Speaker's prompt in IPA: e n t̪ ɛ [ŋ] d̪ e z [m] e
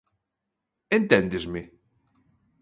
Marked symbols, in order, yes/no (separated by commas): no, yes